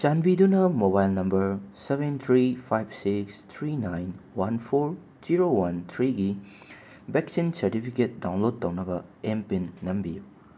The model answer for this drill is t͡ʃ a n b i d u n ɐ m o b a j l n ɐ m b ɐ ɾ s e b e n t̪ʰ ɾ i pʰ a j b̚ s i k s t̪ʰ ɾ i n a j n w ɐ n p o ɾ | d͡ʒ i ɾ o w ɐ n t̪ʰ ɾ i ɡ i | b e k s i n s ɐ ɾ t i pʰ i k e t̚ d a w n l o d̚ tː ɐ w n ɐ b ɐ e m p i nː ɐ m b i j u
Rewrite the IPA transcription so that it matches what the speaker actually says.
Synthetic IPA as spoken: t͡ʃ a n b i d u n ɐ m o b a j l n ɐ m b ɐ ɾ s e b e n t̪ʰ ɾ i pʰ a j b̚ s i k s t̪ʰ ɾ i n a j n w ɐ n pʰ o ɾ | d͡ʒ i ɾ o w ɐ n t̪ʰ ɾ i ɡ i | b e k s i n s ɐ ɾ t i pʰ i k e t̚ d a w n l o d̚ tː ɐ w n ɐ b ɐ e m p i nː ɐ m b i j u